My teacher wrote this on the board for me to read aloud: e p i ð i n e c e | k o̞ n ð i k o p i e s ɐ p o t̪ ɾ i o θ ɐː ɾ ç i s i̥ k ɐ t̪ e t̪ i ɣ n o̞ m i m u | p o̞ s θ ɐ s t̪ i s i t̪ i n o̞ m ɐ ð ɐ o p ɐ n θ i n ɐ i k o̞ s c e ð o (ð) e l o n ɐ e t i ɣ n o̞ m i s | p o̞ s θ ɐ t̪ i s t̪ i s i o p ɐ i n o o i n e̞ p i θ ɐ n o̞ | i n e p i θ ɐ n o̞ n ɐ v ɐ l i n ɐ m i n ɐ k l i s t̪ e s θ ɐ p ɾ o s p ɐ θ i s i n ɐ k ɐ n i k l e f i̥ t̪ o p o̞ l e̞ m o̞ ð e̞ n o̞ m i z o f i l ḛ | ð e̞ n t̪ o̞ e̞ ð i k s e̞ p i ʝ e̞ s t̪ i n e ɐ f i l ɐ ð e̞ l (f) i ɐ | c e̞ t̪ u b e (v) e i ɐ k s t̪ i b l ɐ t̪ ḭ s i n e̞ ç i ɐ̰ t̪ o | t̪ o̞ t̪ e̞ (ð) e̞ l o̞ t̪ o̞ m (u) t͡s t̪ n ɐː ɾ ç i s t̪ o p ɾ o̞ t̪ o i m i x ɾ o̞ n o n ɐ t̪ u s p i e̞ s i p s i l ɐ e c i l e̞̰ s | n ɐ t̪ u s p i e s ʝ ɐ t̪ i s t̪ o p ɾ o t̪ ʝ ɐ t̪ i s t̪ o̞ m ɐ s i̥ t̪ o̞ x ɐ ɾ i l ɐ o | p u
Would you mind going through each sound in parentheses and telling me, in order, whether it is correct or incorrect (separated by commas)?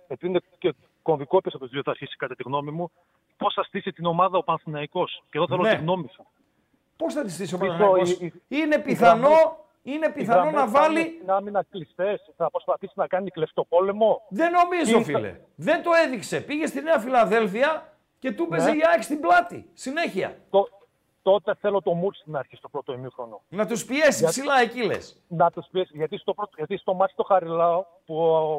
incorrect, correct, incorrect, incorrect, correct